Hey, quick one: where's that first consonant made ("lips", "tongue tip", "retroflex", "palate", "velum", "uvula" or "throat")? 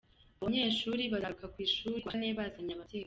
lips